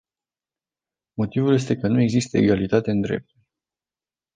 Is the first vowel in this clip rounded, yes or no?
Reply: yes